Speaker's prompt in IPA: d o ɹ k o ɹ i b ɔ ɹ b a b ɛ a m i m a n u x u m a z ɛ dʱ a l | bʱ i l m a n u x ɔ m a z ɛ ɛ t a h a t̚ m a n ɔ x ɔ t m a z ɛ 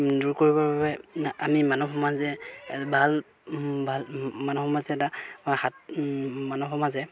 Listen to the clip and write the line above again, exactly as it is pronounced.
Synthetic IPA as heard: d u ɹ k o ɹ i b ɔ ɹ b a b ɛ a m i m a n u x ɔ m a z ɛ bʱ a l | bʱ a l m a n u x ɔ m a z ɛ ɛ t a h a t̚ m a n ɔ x ɔ m a z ɛ